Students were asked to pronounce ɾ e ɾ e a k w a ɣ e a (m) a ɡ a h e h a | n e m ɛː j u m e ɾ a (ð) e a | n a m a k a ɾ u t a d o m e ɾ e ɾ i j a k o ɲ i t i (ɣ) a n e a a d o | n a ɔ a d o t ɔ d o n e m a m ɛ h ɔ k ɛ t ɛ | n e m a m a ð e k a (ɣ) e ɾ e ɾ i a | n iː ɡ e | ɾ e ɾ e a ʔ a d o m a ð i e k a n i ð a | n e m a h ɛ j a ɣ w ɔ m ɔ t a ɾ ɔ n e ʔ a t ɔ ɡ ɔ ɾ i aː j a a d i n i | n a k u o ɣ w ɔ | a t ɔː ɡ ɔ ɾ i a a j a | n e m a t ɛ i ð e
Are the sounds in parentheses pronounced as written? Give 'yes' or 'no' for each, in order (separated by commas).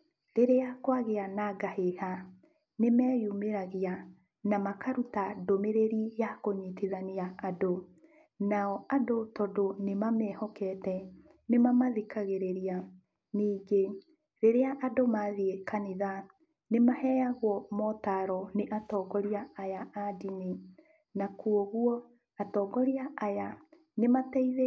no, no, no, yes